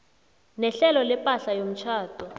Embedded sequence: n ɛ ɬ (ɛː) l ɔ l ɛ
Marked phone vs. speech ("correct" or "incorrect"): incorrect